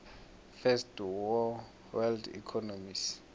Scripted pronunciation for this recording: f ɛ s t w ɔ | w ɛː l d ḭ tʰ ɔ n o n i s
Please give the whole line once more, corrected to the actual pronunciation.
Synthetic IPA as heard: f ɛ s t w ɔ | w ɛ l d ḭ kʰ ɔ n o m i s